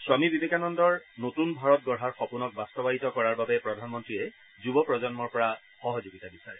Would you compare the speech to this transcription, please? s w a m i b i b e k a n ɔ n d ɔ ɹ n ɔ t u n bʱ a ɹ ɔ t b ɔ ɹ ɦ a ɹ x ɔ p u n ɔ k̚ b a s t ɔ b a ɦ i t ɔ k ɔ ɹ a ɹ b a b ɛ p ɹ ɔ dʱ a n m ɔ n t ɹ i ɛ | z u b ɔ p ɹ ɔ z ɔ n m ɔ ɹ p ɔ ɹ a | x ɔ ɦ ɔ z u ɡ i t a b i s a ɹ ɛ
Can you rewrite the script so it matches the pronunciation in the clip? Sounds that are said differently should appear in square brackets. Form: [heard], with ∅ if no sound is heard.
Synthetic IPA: s w a m i b i b e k a n ɔ n d ɔ ɹ n [o] t u n bʱ a ɹ ɔ t [ɡ] ɔ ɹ ɦ a ɹ x ɔ p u n ɔ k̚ b a s t ɔ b a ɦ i t ɔ k ɔ ɹ a ɹ b a b ɛ p ɹ ɔ dʱ a n m ɔ n t ɹ i ɛ | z u b ɔ p ɹ ɔ z ɔ n m ɔ ɹ p ɔ ɹ a | x ɔ ɦ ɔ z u ɡ i t a b i s a ɹ ɛ